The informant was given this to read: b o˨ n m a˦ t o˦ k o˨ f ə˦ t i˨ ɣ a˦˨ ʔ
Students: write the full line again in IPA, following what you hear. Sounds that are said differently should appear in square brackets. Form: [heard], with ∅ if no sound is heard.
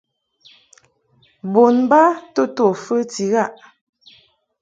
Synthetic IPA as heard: b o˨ n [b] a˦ t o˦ [t] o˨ f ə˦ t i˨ ɣ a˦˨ ʔ